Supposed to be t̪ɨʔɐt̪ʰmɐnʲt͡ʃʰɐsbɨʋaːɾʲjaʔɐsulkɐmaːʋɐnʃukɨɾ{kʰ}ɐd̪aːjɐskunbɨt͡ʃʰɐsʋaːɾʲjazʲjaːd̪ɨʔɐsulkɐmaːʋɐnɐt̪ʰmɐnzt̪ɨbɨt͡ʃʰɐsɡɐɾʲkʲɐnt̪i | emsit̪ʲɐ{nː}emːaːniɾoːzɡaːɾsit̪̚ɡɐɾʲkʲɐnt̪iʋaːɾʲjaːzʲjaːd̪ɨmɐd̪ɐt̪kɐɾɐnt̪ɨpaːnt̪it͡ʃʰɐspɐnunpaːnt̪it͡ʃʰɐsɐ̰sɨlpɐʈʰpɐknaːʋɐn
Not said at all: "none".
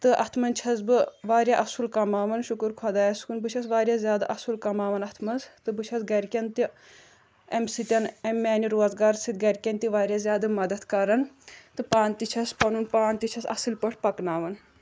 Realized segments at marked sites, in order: kʰ, n

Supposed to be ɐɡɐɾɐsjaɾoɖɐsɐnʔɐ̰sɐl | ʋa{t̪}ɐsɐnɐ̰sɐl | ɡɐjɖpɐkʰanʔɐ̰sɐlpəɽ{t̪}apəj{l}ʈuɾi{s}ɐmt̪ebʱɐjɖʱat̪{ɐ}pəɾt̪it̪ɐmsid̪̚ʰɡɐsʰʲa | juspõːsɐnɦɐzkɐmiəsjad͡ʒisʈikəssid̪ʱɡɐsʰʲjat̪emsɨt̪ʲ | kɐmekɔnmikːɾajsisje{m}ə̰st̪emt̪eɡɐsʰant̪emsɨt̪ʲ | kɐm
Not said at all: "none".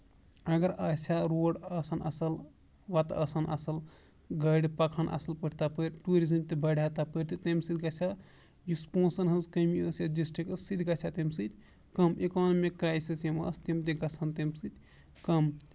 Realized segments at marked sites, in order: t̪, t̪, ɾ, z, a, m

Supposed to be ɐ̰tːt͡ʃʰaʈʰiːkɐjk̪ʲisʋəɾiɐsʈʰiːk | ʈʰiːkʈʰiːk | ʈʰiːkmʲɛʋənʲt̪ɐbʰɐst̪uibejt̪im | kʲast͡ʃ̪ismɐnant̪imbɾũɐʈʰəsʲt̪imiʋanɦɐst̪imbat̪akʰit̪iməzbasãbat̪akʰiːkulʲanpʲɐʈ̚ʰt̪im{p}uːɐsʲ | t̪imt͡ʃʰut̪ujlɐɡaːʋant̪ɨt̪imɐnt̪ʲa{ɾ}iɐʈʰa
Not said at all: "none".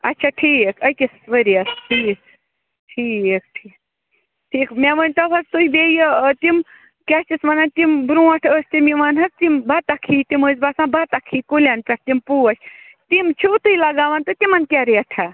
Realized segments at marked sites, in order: p, ɾ

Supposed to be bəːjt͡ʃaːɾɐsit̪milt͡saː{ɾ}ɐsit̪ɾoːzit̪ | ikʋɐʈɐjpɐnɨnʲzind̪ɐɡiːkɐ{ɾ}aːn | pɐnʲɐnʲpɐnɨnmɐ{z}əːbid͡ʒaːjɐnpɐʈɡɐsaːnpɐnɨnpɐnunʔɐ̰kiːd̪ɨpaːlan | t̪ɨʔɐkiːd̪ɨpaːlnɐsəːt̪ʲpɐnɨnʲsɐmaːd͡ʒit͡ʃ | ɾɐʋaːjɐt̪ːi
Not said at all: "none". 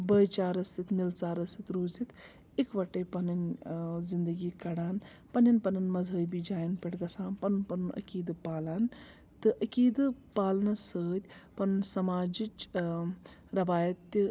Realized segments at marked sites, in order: ɾ, ɽ, z

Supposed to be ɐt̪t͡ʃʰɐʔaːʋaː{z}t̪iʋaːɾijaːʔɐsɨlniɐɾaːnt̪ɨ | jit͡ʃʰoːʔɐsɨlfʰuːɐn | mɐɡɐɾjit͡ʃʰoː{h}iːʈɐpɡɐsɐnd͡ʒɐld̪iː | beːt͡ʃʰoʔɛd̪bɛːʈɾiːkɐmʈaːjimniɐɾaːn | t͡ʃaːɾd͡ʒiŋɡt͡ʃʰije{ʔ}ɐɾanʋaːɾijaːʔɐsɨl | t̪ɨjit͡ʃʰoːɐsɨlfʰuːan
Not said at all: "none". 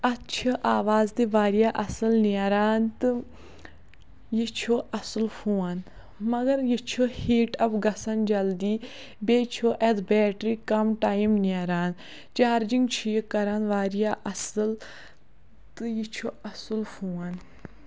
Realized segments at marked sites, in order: z, h, k

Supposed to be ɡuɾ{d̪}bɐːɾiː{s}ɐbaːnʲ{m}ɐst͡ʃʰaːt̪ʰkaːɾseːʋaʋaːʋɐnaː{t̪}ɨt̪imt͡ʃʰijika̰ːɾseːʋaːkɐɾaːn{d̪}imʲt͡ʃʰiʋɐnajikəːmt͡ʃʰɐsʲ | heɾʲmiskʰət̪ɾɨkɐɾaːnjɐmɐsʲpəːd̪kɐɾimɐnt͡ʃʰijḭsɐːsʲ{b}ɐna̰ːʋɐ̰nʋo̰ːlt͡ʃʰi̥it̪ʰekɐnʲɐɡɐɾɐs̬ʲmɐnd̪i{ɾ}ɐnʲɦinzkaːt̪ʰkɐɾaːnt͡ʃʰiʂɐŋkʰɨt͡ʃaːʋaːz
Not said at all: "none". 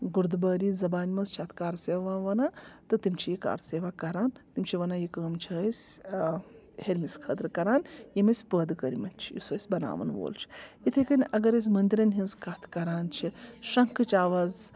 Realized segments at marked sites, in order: d̪, z, m, t̪, t̪, b, ɾ

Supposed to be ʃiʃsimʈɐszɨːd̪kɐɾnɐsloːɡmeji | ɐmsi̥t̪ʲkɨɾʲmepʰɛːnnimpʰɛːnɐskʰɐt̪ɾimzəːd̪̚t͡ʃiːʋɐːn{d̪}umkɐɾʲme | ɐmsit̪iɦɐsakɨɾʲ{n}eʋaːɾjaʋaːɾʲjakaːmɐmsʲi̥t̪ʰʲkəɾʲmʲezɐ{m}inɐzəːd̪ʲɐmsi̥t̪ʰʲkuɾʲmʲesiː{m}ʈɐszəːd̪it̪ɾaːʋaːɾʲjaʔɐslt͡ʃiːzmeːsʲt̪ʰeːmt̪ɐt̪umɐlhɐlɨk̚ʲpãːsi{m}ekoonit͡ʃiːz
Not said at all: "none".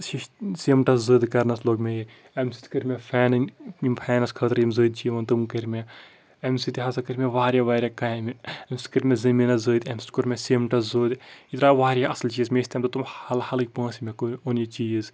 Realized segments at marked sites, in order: t̪, m, m, m, m

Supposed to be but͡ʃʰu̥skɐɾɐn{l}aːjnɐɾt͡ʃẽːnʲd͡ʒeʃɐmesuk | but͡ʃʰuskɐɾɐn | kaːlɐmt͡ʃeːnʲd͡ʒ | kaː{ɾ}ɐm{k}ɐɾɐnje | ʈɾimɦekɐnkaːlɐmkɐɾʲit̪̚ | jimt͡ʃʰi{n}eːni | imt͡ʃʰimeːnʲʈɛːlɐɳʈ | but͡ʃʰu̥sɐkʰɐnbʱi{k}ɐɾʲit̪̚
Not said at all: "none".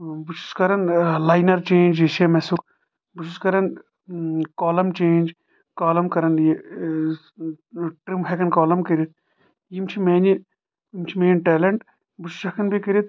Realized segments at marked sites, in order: l, l, k, m, k

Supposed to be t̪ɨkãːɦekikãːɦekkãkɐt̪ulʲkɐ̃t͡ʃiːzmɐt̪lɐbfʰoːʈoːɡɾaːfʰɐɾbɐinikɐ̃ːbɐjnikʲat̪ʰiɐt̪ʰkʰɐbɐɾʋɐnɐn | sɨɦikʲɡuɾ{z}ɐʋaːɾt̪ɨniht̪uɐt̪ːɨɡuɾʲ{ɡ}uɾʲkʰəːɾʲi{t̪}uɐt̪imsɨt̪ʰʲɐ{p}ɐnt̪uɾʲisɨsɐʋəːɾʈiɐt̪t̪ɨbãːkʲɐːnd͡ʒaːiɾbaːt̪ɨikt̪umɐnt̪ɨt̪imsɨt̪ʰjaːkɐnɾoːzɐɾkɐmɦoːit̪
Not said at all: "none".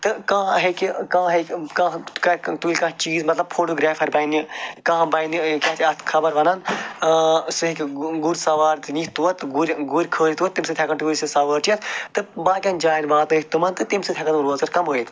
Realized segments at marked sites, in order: s, ɡ, t̪, k

